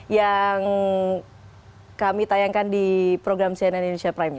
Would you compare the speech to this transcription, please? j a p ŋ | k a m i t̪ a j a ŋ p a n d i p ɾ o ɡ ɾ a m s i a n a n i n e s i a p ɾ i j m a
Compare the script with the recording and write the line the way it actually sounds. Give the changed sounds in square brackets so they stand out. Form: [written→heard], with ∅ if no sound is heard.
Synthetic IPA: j a [p→∅] ŋ | k a m i t̪ a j a ŋ [p→k] a n d i p ɾ o ɡ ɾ a m s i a n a n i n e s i a p ɾ [i→a] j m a